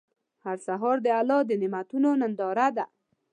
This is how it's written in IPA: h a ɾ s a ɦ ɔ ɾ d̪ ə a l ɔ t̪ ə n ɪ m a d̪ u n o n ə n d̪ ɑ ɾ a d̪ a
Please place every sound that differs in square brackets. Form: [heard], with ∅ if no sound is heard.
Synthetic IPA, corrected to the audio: h a ɾ s a ɦ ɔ ɾ d̪ ə a l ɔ [d̪] ə n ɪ m a [t̪] u n o n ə n d̪ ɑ ɾ a d̪ a